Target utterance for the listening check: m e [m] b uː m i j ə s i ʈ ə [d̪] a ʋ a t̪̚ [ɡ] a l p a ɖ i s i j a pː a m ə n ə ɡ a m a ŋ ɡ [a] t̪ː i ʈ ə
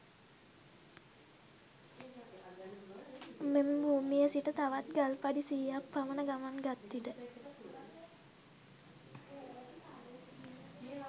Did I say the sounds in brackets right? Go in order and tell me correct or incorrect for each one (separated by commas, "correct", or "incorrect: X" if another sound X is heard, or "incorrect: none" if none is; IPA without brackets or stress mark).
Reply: correct, incorrect: t̪, correct, correct